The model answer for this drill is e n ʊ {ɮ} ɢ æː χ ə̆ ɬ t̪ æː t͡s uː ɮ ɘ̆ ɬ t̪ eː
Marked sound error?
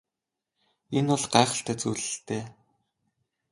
no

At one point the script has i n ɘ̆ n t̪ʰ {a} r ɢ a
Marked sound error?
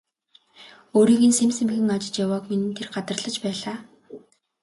yes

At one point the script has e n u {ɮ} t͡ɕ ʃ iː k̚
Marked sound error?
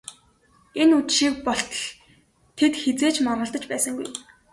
yes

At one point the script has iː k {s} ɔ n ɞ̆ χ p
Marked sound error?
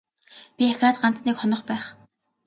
yes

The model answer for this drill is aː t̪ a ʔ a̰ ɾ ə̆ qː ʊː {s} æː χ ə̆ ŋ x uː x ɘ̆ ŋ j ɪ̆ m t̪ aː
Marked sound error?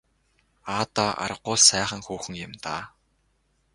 no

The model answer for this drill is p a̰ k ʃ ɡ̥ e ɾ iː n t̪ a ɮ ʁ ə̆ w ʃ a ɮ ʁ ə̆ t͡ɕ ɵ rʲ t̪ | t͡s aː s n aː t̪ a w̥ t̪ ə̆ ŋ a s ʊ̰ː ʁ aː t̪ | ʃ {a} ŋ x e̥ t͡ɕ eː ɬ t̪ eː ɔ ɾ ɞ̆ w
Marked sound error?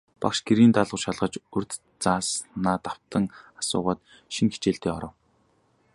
yes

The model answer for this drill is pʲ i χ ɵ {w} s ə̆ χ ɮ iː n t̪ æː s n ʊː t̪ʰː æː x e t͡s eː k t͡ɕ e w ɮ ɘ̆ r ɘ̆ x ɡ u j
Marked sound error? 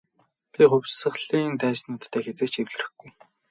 no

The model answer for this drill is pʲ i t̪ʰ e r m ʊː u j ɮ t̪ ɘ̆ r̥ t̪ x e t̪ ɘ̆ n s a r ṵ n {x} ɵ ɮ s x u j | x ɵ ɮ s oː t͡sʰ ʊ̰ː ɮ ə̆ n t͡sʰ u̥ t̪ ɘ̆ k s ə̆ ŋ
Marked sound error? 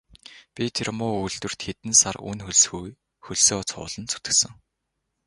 no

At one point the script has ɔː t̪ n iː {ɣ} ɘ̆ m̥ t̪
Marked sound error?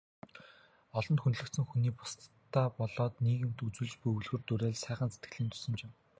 no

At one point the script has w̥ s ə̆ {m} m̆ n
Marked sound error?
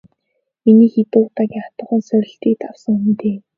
yes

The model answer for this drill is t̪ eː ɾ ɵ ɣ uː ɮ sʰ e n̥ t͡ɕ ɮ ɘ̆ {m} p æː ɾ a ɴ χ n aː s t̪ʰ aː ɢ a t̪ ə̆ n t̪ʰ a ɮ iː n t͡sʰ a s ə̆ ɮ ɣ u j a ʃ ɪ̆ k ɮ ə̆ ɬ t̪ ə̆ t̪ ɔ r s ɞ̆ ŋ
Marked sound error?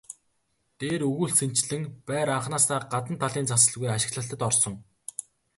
yes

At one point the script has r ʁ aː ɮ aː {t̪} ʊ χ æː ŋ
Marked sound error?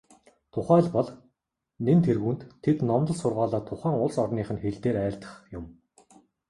yes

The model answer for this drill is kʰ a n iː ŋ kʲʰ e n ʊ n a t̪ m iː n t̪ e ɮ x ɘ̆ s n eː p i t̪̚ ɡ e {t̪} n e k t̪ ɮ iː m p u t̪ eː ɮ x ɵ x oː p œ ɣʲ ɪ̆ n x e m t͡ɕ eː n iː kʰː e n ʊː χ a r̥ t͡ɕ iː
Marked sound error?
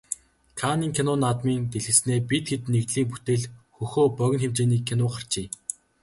no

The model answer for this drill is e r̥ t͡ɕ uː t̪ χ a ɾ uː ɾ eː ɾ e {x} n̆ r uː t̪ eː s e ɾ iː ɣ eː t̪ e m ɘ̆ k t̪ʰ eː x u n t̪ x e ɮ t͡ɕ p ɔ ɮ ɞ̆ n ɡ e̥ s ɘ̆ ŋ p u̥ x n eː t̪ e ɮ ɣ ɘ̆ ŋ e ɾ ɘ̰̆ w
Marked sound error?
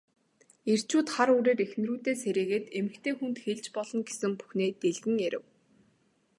no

